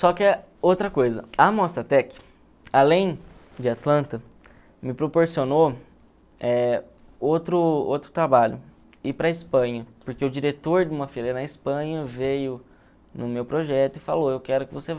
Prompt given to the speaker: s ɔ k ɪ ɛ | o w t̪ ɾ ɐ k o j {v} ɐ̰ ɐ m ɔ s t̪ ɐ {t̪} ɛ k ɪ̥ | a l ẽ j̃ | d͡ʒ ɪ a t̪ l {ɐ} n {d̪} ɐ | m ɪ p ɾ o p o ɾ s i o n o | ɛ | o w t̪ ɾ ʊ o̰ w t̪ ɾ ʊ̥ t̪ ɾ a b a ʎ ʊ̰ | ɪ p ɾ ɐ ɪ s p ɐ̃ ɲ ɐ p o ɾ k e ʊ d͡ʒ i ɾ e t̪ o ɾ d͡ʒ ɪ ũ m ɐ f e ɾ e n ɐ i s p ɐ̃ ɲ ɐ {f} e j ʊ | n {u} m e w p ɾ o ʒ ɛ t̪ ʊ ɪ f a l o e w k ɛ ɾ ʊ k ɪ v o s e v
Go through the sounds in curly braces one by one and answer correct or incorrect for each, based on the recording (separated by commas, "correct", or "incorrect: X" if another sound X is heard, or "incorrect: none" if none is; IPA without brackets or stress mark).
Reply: incorrect: z, correct, incorrect: ɐ̃, incorrect: t̪, incorrect: v, incorrect: ʊ